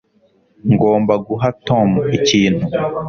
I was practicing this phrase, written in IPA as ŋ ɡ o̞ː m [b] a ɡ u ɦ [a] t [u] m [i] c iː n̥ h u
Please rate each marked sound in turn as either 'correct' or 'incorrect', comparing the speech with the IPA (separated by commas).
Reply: correct, correct, incorrect, correct